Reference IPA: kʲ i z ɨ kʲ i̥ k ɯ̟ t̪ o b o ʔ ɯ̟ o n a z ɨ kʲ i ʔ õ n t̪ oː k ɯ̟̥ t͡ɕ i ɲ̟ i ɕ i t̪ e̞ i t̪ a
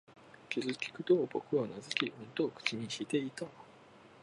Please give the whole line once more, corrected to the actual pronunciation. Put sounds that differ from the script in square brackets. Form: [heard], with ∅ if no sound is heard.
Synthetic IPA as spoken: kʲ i z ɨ kʲ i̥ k ɯ̟ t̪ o b o [k] ɯ̟ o n a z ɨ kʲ i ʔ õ n t̪ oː k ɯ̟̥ t͡ɕ i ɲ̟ i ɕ i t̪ e̞ i t̪ a